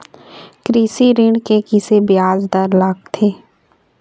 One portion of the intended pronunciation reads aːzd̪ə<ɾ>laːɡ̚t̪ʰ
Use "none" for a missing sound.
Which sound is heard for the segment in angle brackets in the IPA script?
ɾ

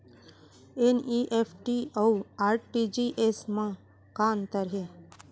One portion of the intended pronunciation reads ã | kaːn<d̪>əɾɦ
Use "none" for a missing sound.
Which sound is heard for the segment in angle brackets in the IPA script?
t̪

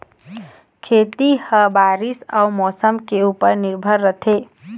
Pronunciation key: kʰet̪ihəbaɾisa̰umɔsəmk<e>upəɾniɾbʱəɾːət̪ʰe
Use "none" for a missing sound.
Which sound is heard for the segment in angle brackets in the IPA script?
e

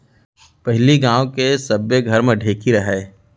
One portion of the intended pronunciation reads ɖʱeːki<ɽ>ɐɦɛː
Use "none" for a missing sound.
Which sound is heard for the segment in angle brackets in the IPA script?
ɾ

